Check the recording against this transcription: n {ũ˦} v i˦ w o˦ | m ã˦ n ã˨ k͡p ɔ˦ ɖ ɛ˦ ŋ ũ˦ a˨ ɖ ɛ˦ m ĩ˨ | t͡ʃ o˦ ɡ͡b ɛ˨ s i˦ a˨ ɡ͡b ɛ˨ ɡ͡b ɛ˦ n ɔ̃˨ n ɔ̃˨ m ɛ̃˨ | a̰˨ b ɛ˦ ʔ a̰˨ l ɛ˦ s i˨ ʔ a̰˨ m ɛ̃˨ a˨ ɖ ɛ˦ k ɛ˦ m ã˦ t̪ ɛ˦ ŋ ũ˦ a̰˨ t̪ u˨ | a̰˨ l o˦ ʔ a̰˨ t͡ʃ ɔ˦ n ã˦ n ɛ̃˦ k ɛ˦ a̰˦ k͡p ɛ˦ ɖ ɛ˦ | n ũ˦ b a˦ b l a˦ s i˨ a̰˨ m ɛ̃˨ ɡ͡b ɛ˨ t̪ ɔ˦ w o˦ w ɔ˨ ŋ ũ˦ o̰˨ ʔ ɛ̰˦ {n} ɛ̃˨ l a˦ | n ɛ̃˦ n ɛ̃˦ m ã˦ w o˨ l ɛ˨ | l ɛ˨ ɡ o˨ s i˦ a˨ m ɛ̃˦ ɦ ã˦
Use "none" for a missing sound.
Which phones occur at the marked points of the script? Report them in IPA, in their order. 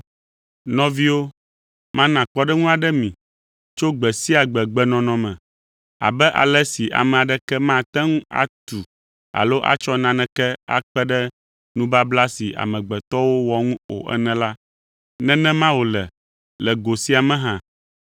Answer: ɔ̃˦, n

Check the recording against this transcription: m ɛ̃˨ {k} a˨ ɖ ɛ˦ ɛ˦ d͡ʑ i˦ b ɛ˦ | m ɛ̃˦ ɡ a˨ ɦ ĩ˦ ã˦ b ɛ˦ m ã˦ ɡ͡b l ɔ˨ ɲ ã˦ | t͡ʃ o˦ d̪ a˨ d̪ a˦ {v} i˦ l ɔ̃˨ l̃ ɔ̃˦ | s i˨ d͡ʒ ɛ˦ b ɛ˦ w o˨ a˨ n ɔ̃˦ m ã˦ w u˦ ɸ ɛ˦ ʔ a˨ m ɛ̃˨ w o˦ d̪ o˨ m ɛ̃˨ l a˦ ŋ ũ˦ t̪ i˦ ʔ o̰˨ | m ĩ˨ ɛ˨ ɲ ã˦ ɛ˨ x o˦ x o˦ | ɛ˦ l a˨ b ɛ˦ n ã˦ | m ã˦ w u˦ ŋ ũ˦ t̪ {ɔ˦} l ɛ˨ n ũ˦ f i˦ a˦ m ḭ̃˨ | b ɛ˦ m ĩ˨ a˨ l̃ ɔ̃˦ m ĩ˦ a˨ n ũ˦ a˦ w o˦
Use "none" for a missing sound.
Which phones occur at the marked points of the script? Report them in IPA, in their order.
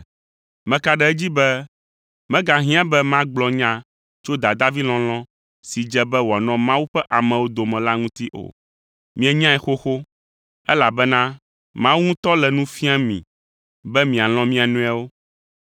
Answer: k, v, ɔ˦

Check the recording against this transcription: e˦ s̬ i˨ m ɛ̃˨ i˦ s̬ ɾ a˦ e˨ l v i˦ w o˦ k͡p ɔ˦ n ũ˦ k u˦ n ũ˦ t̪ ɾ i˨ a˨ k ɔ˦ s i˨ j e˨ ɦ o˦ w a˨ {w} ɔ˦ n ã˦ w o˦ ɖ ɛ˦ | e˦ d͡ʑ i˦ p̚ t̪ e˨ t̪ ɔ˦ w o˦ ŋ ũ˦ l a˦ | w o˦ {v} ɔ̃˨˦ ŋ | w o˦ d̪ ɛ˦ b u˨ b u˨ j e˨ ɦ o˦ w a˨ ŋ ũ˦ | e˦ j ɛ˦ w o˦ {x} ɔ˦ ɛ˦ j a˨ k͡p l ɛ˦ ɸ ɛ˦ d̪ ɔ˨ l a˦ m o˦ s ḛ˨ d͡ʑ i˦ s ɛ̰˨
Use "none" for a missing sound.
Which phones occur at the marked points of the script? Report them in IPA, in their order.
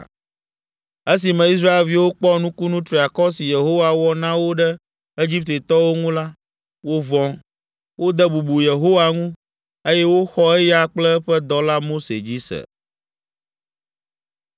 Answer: w, v, x

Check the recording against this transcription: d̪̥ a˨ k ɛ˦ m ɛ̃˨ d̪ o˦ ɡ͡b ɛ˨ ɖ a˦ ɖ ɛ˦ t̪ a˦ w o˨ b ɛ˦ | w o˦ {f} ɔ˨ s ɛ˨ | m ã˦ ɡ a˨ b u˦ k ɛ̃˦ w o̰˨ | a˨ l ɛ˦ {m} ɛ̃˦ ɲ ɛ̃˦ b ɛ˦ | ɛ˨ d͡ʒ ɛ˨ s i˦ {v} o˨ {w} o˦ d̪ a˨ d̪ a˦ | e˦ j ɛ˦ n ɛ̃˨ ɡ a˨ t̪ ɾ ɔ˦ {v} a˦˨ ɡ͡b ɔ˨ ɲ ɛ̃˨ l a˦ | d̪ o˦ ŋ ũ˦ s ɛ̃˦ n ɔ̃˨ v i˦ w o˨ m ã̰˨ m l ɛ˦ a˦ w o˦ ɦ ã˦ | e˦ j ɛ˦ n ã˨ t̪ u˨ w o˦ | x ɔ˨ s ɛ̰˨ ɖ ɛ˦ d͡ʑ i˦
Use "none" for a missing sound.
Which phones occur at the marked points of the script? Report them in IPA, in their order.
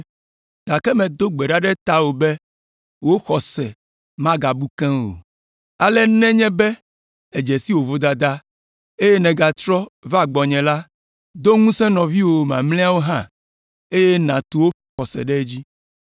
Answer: x, n, w, v, v

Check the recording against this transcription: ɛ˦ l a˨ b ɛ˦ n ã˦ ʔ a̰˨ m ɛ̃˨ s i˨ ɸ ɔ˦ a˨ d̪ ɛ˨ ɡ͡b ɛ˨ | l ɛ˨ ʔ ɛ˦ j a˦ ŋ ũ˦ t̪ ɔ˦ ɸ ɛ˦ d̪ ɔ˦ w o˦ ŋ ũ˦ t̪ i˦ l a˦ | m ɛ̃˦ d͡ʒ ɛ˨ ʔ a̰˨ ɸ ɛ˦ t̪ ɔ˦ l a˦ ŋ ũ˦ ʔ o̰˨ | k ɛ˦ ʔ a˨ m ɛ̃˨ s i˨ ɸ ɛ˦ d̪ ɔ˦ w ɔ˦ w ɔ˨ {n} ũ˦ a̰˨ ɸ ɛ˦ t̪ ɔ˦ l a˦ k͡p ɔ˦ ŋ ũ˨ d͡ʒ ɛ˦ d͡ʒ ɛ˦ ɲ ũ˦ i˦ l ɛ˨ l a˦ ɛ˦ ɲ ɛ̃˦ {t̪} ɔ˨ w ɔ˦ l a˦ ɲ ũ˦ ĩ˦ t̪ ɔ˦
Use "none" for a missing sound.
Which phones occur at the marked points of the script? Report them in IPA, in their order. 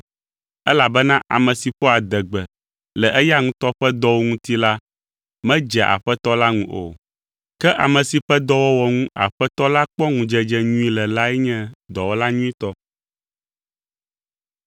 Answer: ŋ, d̪

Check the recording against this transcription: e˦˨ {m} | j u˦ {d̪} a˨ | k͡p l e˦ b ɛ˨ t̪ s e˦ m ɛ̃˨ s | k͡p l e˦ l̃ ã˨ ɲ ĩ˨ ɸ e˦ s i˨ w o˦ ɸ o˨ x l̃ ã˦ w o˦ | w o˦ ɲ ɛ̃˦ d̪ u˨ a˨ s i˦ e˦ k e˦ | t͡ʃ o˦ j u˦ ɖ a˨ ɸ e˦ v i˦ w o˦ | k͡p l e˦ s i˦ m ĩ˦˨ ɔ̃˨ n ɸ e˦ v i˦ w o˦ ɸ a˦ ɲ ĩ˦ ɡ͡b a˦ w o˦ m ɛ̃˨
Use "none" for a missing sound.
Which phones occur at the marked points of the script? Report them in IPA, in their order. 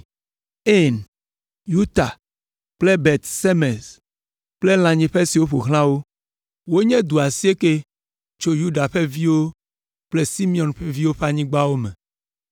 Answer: n, t̪

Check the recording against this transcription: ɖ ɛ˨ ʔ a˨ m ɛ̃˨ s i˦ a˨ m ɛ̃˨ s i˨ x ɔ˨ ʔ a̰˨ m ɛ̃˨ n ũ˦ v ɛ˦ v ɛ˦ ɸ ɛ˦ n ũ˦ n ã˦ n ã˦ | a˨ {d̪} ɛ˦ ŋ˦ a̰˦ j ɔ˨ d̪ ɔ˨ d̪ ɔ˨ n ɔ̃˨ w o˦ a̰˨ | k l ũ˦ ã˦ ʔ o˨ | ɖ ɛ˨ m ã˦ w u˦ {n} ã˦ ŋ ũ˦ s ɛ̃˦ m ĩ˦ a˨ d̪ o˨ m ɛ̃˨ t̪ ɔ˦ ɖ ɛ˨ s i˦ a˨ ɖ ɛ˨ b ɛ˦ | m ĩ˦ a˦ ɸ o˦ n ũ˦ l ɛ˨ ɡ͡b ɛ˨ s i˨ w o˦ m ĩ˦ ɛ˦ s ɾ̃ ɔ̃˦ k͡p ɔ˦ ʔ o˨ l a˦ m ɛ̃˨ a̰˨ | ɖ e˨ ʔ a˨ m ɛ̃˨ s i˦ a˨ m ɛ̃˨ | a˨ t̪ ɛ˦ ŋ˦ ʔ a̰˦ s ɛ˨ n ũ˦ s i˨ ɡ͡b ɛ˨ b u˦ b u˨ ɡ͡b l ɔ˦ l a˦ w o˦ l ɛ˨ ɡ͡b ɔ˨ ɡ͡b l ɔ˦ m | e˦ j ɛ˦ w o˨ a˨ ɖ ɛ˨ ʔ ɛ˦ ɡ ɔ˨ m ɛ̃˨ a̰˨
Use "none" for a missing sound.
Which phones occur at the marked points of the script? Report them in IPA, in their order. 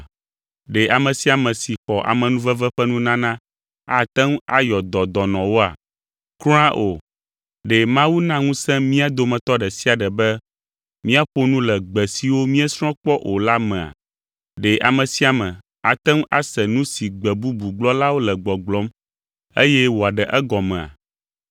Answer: t̪, n

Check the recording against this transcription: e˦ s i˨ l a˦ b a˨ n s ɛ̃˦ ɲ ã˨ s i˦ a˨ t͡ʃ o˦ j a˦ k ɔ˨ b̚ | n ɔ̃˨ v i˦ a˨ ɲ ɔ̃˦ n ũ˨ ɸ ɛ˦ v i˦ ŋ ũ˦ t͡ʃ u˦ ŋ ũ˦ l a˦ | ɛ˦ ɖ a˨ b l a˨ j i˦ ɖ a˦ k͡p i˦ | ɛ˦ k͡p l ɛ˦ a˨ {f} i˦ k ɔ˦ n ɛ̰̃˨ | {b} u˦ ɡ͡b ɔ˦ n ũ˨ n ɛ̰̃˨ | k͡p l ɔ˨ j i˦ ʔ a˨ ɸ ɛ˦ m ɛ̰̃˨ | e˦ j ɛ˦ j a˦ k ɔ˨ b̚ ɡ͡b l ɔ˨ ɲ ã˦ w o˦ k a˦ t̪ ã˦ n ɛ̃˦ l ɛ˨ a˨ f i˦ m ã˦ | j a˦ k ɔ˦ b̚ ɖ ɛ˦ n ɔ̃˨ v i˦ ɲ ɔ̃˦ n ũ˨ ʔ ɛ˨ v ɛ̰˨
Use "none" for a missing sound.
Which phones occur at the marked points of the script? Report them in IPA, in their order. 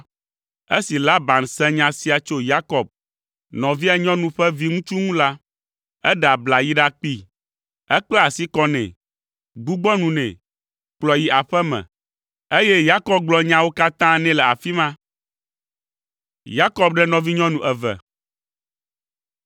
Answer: s, ɡ͡b

